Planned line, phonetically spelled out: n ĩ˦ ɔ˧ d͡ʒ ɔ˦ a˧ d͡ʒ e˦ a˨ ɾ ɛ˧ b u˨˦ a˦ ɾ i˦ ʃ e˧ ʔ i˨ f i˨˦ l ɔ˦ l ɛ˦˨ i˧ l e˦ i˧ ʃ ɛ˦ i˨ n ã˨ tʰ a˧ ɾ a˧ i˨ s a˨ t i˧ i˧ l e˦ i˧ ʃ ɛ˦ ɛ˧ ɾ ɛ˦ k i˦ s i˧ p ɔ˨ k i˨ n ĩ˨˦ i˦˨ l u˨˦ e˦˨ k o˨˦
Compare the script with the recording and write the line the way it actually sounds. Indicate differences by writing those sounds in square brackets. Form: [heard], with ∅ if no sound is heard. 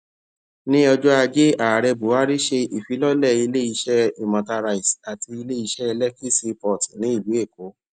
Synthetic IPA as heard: n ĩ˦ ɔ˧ d͡ʒ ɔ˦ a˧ d͡ʒ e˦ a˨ ɾ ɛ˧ b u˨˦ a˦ ɾ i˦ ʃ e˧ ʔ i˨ f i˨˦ l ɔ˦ l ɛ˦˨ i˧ l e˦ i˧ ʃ ɛ˦ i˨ [m] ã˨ [t] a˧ ɾ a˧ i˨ s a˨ t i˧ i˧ l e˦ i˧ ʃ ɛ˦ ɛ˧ [l] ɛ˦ k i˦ s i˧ p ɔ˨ [t] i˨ n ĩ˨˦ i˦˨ l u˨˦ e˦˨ k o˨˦